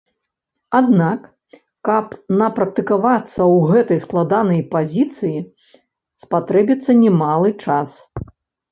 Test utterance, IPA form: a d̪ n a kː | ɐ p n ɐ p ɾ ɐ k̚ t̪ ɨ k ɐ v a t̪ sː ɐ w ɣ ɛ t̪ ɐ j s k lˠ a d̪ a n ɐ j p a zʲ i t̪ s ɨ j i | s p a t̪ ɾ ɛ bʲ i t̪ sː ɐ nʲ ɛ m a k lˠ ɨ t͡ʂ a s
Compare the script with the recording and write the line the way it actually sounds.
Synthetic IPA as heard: a d̪ n a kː | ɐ p n ɐ p ɾ ɐ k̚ t̪ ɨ k a v a t̪ sː ɐ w ɣ ɛ t̪ ɐ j s k lˠ a d̪ a n ɐ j p a zʲ i t̪ s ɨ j i | s p a t̪ ɾ ɛ bʲ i t̪ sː ɐ nʲ ɛ m a lˠ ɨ t͡ʂ a s